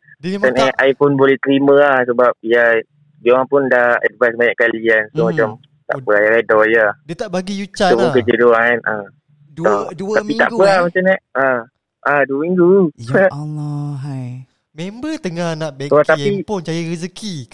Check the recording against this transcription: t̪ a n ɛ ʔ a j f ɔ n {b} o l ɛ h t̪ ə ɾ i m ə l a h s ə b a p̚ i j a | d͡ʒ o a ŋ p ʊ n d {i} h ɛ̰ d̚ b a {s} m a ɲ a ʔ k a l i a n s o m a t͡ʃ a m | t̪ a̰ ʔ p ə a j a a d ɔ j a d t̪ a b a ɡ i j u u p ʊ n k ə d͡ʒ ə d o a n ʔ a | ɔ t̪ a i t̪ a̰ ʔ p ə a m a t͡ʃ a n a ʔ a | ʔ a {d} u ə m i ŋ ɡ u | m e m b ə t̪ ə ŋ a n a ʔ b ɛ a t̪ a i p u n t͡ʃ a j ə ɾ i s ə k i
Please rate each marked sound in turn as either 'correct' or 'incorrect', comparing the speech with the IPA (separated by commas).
correct, incorrect, correct, correct